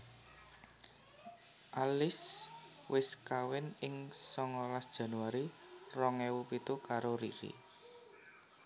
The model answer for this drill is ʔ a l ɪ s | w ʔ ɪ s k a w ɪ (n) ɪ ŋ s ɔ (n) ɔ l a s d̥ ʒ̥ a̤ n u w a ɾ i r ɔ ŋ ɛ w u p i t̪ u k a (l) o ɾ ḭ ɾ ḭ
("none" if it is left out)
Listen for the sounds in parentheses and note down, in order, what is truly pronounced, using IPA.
n, ŋ, ɾ

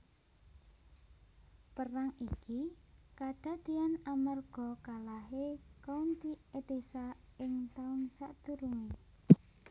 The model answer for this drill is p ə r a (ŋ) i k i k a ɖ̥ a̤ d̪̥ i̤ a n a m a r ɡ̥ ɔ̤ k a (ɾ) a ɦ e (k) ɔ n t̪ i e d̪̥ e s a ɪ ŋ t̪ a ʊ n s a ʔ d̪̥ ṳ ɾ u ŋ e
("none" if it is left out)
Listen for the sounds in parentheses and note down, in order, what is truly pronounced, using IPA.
ŋ, l, k

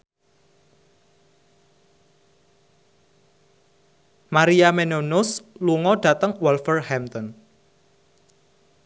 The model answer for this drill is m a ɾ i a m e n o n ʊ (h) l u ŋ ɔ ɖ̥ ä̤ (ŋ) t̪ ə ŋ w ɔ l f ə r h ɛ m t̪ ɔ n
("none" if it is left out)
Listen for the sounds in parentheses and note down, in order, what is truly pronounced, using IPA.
s, none

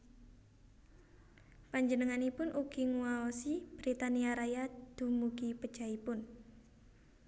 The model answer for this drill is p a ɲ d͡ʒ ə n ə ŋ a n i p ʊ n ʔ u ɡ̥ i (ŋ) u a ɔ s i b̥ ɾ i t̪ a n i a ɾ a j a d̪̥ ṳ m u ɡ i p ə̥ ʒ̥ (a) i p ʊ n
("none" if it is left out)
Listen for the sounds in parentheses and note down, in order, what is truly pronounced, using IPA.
ŋ, a

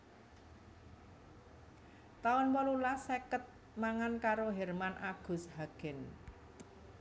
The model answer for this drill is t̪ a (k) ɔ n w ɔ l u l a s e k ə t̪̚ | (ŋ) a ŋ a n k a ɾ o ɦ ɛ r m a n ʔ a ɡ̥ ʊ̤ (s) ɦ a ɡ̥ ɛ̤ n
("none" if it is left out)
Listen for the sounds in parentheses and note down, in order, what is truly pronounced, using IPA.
none, m, s

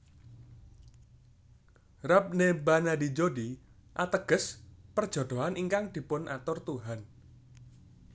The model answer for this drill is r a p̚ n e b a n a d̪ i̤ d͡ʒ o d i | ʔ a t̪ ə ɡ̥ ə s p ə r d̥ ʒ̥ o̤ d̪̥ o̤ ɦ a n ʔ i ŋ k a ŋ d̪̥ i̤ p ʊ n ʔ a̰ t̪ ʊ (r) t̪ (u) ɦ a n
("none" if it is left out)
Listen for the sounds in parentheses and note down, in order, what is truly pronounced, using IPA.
r, u

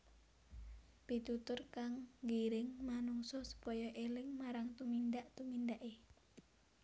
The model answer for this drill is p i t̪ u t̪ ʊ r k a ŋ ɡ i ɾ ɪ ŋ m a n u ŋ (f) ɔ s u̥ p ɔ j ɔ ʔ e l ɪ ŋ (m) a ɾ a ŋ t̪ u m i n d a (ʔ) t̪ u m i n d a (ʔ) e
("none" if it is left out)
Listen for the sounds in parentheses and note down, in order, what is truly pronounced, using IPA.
s, m, ʔ, ʔ

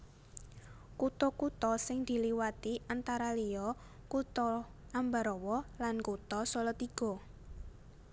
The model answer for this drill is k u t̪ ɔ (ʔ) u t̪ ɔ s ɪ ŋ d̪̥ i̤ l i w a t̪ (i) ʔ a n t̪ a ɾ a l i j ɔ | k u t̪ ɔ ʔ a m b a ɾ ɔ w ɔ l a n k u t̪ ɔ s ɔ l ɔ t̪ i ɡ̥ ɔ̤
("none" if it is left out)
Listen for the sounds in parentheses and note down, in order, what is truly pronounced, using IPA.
k, i

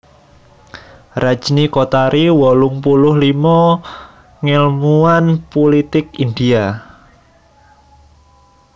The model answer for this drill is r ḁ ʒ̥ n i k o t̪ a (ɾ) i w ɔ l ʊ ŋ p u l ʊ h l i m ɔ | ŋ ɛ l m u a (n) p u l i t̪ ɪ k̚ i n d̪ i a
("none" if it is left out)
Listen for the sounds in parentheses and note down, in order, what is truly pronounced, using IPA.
ɾ, n

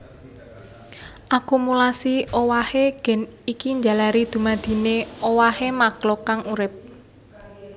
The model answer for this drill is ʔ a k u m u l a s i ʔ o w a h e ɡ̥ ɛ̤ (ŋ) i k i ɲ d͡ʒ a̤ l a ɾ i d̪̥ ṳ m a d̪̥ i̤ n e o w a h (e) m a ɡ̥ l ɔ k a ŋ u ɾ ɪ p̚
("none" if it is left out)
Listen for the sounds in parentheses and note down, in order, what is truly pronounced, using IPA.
n, e

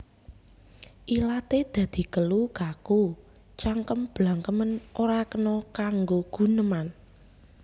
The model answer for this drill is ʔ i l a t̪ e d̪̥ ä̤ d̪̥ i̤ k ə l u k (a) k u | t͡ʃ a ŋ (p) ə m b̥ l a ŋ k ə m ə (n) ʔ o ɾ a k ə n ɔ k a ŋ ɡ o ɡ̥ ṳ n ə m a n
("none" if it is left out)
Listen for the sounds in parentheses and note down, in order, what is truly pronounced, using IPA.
a, k, n

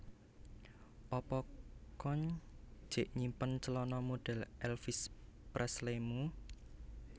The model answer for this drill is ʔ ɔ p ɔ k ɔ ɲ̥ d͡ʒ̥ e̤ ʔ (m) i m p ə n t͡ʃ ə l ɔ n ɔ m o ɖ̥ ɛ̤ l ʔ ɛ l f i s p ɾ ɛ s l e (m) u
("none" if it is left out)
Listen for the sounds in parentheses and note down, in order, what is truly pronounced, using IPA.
ɲ, m

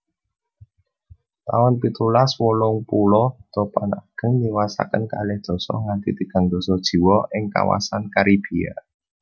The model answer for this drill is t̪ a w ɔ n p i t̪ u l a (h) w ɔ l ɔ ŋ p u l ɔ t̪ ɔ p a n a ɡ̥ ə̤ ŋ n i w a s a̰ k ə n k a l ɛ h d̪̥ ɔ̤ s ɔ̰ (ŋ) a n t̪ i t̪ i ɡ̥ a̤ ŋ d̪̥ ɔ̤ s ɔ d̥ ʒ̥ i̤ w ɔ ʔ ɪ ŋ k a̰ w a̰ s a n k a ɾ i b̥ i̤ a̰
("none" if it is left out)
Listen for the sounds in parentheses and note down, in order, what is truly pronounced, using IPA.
s, ŋ

